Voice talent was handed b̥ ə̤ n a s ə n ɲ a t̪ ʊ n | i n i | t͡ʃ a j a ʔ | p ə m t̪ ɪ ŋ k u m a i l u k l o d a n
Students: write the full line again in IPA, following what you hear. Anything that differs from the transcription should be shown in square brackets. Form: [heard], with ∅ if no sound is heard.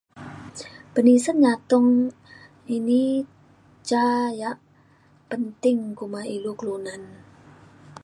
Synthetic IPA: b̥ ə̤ n [i] s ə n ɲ a t̪ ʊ [ŋ] | i n i | t͡ʃ a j a ʔ | p ə [n] t̪ ɪ ŋ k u m a i l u k l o [n] a n